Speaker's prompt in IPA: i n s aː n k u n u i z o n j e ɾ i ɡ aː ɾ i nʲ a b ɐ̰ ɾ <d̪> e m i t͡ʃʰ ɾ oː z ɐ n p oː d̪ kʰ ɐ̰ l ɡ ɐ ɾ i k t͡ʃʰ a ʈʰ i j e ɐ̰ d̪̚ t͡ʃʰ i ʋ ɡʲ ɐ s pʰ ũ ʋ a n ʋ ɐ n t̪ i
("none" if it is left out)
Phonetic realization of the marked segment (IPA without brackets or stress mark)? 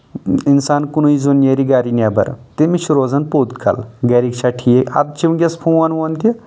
t̪